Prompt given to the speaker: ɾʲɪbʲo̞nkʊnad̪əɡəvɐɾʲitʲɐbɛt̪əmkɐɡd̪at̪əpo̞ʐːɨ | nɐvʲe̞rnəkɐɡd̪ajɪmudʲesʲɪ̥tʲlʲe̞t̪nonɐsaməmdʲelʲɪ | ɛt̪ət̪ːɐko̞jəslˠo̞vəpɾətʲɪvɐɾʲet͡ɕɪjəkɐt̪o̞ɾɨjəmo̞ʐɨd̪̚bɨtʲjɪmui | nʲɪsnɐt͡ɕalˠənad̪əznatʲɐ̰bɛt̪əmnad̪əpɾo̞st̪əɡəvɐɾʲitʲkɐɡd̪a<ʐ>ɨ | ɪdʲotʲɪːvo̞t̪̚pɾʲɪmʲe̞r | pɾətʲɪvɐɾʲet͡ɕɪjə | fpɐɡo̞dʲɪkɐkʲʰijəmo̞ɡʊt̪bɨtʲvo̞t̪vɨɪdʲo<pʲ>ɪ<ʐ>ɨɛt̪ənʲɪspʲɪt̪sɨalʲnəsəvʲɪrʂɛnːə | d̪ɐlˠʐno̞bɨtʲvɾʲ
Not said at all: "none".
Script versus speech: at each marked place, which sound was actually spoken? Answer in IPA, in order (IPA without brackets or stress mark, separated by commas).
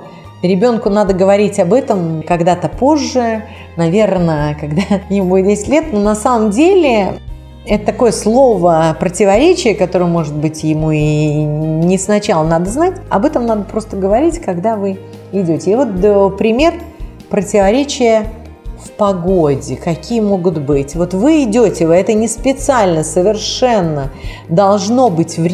v, tʲ, v